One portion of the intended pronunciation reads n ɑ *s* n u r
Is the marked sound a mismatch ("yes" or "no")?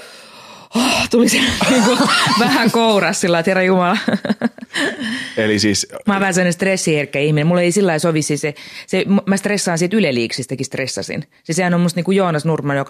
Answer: no